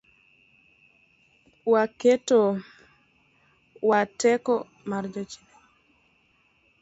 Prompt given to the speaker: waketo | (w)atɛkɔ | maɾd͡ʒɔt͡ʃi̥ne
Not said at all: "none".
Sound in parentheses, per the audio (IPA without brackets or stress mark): w